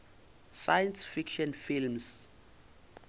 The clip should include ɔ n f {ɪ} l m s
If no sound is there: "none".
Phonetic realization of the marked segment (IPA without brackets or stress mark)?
i